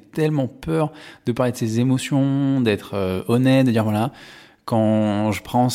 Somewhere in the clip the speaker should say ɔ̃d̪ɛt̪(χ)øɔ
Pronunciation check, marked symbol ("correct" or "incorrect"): correct